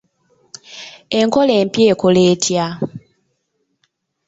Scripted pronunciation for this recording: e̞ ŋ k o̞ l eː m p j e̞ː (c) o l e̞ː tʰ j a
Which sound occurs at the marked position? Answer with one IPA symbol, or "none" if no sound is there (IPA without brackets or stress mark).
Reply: k